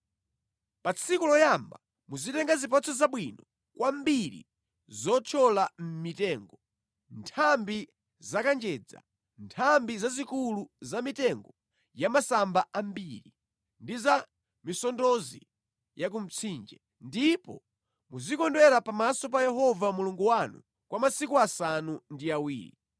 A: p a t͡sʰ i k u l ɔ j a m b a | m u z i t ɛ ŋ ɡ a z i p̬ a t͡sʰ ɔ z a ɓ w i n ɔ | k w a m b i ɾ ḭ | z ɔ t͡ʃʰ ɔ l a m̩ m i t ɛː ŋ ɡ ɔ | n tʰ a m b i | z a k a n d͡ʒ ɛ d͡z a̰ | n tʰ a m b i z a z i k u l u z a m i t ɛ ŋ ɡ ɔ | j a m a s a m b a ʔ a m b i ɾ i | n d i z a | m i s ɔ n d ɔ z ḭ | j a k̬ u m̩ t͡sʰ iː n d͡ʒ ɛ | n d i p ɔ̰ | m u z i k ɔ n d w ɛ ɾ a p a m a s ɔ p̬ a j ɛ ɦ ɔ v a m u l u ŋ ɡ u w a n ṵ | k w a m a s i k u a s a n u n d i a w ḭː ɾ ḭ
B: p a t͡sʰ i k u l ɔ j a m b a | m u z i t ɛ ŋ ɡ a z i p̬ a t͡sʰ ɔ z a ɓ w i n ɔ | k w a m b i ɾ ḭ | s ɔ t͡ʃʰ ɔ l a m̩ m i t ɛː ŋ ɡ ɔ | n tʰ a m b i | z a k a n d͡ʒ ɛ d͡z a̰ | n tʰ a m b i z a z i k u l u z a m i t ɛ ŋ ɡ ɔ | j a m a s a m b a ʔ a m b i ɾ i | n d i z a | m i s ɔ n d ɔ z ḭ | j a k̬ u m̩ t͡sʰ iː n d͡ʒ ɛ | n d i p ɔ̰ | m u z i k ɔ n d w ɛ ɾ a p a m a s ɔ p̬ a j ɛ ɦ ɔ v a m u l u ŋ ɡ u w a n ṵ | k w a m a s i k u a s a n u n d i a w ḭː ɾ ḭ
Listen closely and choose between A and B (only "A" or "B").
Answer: A